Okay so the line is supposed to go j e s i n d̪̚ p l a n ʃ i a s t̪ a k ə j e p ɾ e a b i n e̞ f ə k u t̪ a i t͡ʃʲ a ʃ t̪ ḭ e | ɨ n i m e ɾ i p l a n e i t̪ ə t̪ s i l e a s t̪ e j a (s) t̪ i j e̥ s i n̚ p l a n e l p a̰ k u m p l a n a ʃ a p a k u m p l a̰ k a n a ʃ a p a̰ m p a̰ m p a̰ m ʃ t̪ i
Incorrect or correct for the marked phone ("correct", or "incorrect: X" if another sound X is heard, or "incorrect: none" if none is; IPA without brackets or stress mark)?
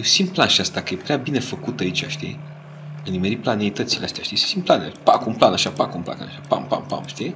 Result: incorrect: ʃ